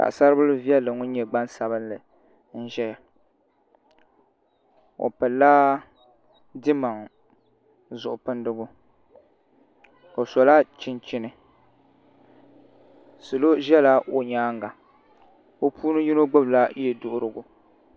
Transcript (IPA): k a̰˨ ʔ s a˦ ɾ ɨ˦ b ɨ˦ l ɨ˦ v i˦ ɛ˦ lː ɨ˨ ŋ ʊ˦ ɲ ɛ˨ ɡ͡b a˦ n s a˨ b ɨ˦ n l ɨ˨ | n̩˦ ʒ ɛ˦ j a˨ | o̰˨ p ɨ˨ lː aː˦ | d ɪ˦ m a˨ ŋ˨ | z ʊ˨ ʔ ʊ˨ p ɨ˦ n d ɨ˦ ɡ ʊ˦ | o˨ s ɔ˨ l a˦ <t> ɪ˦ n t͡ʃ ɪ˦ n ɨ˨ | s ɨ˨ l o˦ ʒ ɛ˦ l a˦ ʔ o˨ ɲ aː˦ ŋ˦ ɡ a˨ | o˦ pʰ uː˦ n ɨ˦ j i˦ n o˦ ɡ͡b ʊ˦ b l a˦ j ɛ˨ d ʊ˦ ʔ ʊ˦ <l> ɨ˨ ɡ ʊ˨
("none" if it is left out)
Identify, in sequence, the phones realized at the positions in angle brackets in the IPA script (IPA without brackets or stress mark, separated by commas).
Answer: t͡ʃ, ɾ